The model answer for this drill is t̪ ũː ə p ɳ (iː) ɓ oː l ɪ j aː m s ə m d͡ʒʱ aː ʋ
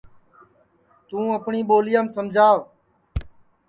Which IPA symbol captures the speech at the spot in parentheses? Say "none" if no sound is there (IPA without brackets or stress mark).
iː